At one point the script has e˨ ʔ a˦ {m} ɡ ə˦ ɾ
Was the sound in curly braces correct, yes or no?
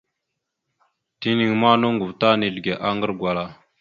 no